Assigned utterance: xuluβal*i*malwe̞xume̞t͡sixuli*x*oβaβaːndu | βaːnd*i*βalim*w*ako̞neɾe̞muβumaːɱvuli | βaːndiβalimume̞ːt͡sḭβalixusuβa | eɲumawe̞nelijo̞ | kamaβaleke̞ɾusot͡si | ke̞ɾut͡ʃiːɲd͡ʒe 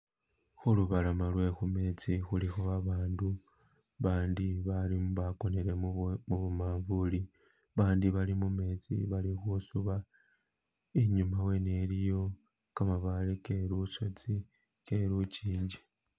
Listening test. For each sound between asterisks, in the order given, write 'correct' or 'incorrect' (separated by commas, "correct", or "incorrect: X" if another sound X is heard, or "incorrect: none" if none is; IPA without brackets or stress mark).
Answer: incorrect: a, correct, correct, incorrect: β